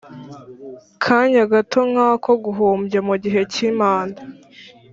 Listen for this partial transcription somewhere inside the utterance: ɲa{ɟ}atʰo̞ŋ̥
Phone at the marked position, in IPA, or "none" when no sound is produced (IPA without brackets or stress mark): ɡ